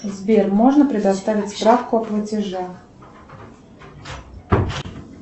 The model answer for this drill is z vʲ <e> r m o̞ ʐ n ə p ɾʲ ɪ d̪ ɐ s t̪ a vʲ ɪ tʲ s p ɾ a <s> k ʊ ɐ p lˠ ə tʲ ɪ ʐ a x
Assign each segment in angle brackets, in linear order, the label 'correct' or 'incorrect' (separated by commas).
correct, incorrect